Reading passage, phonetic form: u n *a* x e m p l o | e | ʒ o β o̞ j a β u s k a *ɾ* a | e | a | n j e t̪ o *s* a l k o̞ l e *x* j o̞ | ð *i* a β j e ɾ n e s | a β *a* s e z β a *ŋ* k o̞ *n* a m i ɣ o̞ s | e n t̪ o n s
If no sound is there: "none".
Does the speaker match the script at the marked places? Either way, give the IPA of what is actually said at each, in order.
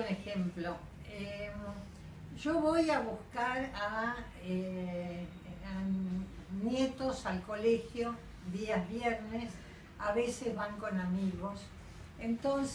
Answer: e, ɾ, s, x, i, e, ŋ, n

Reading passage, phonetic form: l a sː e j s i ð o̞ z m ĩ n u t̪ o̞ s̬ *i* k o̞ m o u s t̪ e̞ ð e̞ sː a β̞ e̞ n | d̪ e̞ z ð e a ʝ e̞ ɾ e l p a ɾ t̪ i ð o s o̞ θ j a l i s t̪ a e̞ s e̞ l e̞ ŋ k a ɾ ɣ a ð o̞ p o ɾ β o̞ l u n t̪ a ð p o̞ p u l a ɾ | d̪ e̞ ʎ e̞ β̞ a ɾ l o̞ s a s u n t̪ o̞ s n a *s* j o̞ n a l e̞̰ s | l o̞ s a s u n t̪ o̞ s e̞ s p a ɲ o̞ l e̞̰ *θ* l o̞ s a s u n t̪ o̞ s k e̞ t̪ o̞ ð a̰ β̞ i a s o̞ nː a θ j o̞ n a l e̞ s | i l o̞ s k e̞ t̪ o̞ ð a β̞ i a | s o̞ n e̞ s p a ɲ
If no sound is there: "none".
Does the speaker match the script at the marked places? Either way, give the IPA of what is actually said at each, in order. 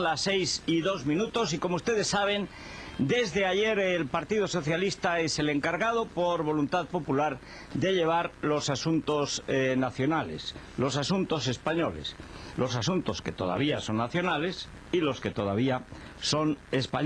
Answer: i, θ, s

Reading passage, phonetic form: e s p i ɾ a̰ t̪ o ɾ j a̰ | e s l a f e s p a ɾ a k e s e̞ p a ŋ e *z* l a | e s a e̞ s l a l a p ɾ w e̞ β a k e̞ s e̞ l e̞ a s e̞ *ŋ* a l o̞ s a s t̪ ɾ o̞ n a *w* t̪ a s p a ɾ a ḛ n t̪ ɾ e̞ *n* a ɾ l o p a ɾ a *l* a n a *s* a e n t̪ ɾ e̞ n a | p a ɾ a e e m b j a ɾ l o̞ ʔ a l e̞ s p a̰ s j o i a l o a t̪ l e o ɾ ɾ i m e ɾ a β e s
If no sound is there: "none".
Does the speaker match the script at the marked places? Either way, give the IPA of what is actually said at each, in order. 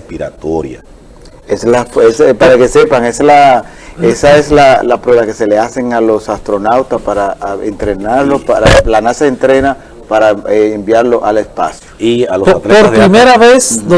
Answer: s, ŋ, w, n, l, s

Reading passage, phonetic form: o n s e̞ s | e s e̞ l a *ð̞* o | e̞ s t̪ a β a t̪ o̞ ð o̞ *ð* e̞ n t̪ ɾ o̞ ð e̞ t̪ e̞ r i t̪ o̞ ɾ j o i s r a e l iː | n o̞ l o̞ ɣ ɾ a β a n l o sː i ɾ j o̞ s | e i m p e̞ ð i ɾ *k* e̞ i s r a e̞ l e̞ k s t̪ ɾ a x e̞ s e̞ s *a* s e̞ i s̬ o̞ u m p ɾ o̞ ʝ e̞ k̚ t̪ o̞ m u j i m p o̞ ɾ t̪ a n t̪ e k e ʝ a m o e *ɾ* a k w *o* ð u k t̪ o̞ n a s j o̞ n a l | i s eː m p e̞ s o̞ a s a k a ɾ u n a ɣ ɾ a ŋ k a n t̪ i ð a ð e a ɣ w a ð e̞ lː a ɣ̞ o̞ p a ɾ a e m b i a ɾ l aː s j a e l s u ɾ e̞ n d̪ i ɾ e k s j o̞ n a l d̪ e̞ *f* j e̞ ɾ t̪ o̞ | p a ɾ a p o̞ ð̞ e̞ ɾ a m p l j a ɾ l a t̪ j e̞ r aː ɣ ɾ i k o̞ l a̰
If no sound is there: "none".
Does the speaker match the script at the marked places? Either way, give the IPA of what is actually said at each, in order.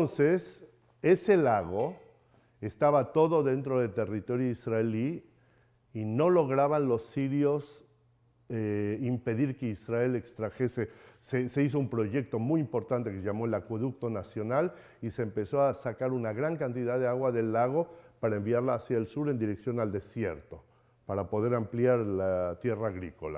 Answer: ɣ̞, ð, k, e, l, o, s

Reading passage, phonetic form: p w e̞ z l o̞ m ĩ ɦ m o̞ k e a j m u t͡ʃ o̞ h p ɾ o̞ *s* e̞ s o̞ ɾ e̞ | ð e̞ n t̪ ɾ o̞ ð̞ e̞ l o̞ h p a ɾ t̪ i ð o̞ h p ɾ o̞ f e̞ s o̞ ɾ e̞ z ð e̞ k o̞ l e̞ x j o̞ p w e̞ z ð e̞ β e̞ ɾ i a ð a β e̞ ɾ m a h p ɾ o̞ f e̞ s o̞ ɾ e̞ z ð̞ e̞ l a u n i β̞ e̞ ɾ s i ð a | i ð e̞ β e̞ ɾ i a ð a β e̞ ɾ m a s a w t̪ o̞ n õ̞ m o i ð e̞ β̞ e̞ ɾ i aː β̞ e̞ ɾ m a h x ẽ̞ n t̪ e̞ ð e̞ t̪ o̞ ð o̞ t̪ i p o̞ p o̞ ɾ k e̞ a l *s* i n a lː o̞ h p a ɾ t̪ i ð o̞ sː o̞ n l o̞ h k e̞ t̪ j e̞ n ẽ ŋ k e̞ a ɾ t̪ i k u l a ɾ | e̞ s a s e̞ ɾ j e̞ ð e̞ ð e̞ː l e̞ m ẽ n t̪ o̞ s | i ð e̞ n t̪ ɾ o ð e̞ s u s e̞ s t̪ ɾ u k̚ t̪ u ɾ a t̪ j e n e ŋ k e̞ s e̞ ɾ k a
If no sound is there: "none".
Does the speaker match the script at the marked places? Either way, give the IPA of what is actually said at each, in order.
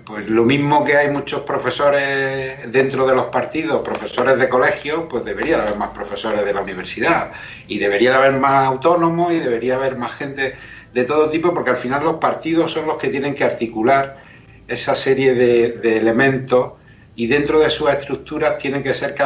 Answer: f, f

